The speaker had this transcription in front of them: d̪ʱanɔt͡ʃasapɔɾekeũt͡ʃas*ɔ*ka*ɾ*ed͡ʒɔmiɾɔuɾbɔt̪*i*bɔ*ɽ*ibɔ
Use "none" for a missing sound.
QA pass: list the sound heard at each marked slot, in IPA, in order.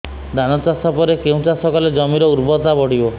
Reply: ɔ, l, a, ɽ

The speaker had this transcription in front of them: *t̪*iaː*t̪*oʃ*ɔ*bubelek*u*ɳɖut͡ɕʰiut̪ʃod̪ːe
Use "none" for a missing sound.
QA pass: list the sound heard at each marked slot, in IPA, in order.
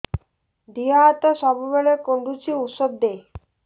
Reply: d̪, t̪, ɔ, o

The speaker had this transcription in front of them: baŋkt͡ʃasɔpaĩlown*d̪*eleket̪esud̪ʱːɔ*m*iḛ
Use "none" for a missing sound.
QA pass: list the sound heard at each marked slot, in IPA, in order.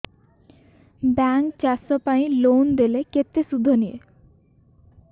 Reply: d̪, n

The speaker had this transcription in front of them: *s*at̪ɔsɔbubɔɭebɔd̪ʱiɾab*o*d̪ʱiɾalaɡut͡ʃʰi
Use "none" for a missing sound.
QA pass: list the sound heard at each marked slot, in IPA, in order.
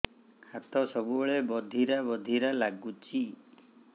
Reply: h, ɔ

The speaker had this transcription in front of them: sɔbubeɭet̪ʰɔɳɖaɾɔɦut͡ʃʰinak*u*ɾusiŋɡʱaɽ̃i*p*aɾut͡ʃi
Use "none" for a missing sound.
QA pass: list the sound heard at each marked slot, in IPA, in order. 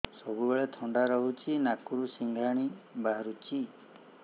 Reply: u, b

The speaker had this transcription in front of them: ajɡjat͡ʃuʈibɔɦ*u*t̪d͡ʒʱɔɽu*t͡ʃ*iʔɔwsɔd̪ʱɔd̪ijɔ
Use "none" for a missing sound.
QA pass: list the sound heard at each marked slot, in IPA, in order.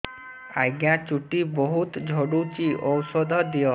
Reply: u, t͡ʃ

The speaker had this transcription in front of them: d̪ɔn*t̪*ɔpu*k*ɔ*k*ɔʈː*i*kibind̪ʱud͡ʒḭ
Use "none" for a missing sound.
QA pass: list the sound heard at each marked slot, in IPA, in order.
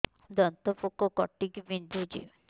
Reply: t̪, k, k, i

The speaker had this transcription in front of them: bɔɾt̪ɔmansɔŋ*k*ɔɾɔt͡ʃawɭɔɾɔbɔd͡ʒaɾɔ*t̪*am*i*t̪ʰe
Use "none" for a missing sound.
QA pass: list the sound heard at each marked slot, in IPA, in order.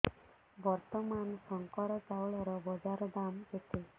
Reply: k, d̪, e

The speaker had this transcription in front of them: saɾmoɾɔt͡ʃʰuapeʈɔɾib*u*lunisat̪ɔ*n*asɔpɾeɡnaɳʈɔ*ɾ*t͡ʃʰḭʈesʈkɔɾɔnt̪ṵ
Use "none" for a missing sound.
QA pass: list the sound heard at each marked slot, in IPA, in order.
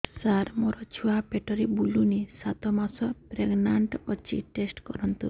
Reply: u, m, none

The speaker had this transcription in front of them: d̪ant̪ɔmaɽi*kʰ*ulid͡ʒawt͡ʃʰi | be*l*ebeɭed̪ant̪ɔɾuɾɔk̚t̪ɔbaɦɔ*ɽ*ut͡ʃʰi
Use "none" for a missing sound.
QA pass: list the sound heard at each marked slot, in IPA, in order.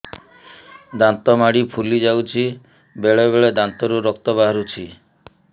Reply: pʰ, ɭ, ɾ

